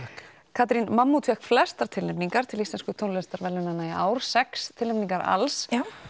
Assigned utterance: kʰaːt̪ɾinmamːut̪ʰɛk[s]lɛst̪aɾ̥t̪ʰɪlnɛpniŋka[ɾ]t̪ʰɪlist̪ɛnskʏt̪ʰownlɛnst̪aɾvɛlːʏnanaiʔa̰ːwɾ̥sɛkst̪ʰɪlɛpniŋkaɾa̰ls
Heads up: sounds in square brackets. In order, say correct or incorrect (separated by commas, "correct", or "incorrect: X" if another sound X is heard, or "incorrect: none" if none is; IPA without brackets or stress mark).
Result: incorrect: f, correct